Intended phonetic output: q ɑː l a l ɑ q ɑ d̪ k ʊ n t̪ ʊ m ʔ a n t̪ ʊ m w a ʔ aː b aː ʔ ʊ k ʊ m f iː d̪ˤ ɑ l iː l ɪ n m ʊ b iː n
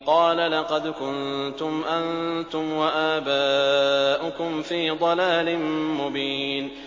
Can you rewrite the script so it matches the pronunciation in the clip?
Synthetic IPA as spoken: q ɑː l a l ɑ q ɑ d̪ k ʊ n t̪ ʊ m ʔ a n t̪ ʊ m w a ʔ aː b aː ʔ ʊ k ʊ m f iː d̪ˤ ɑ l aː l ɪ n m ʊ b iː n